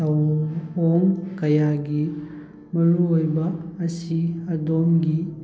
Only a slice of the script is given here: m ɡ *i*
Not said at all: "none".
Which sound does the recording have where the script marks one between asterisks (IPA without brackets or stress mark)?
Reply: i